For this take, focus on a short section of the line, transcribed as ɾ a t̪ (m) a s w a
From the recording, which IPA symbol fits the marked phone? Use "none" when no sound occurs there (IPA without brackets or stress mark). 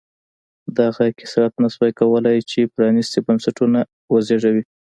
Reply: n